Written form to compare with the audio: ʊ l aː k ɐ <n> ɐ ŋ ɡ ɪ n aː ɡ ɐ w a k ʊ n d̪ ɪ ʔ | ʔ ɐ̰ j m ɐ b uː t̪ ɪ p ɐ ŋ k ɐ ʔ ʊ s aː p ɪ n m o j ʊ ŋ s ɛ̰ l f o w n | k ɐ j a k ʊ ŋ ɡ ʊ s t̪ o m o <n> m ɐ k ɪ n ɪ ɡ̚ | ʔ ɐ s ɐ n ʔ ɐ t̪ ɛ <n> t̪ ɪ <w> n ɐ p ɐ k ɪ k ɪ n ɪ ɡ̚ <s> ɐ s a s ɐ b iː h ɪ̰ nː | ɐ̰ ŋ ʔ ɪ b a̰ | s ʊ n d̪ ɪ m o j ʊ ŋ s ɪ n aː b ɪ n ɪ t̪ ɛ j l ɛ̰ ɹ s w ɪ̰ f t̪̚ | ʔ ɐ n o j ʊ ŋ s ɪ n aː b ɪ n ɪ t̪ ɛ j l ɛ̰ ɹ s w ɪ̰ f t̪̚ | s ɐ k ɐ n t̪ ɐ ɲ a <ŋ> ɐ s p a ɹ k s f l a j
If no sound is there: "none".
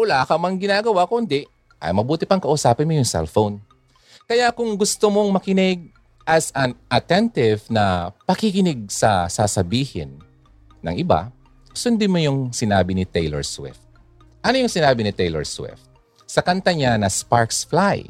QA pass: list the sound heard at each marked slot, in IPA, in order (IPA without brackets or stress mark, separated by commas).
m, ŋ, n, v, s, n